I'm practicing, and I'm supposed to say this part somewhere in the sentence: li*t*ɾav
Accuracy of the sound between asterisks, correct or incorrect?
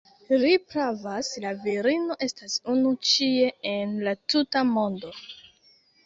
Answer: incorrect